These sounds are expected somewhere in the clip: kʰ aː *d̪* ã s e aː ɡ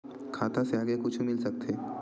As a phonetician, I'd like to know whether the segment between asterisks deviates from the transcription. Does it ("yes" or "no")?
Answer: yes